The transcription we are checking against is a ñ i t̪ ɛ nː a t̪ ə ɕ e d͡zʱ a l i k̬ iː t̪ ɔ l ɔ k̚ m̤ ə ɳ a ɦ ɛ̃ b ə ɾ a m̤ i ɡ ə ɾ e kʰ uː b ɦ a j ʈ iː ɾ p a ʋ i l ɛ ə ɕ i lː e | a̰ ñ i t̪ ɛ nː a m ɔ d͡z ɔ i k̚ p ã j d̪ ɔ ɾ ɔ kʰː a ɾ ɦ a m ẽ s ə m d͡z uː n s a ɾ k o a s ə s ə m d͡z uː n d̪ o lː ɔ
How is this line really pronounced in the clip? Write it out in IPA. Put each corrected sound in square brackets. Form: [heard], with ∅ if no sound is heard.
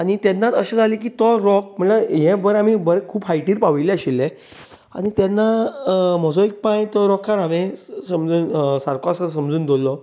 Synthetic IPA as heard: a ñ i t̪ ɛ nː a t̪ ə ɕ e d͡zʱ a l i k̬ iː t̪ ɔ [ɾ] ɔ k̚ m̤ ə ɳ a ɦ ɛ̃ b ə ɾ a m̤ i [b] ə ɾ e kʰ uː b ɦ a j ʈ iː ɾ p a ʋ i l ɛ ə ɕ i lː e | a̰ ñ i t̪ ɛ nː a m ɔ d͡z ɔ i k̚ p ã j [t̪] ɔ ɾ ɔ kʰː a ɾ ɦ a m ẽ s ə m d͡z uː n s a ɾ k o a s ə s ə m d͡z uː n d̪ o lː ɔ

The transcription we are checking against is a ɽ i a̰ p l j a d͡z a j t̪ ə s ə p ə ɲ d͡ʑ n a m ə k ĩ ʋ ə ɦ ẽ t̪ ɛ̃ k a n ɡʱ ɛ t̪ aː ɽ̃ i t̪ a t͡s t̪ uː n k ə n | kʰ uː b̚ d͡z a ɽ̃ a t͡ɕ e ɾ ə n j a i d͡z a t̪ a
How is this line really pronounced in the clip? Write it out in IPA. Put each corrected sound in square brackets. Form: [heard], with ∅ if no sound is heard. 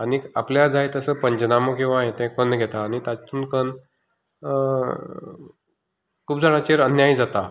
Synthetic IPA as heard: a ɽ i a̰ p l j a d͡z a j t̪ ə s ə p ə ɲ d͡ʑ n a m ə k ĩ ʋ [a] ɦ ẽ t̪ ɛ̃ k [ə] n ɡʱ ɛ t̪ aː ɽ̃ i t̪ a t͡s t̪ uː n k ə n | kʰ uː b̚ d͡z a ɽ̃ a t͡ɕ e ɾ ə n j a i d͡z a t̪ a

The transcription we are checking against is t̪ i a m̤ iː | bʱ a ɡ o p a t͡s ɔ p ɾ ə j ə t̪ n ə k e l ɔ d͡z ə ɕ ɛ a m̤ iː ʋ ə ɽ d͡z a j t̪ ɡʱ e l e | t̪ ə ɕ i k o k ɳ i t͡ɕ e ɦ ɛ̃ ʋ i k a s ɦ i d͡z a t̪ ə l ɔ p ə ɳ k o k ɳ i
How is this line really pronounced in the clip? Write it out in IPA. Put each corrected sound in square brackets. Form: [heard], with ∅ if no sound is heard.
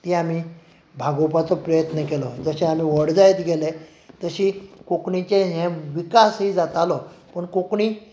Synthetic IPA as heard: t̪ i a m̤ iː | bʱ a ɡ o p a t͡s ɔ p ɾ ə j ə t̪ n ə k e l ɔ d͡z ə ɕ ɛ a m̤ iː ʋ ə ɽ d͡z a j t̪ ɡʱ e l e | t̪ ə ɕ i k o k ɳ i t͡ɕ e ɦ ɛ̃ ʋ i k a s ɦ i d͡z a t̪ [a] l ɔ p ə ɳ k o k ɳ i

